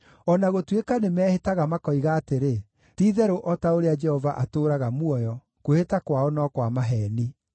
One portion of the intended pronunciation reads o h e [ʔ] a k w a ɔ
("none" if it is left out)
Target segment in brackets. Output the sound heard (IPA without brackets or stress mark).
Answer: t